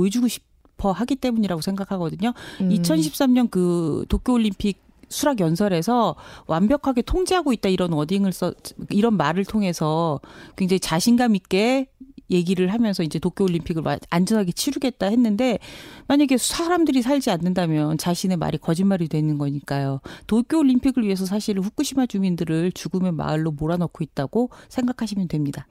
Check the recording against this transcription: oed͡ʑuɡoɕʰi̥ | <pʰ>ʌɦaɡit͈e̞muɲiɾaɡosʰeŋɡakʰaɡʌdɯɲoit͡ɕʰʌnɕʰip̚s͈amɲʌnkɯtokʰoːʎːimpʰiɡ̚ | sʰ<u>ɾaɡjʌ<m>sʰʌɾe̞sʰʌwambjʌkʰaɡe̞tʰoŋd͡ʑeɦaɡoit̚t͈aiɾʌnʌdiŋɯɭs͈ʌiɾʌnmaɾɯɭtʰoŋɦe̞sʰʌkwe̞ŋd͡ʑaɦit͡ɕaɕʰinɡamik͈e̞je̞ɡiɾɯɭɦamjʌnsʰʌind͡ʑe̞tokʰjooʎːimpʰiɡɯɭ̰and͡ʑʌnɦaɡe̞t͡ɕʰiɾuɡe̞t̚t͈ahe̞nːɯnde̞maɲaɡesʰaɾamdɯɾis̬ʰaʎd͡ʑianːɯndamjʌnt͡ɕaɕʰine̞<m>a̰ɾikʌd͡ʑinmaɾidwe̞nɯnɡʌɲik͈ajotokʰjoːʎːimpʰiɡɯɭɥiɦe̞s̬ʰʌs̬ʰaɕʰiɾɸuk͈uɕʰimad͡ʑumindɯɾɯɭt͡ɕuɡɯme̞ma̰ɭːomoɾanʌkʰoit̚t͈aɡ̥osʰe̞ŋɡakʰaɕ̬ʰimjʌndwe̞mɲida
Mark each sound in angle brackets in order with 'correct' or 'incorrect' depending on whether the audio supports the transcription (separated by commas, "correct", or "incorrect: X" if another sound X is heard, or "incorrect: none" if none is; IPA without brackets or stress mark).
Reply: correct, correct, incorrect: n, correct